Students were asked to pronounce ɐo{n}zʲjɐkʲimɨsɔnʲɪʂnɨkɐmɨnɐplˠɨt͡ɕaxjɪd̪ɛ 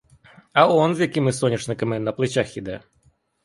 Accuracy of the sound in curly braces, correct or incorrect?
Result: correct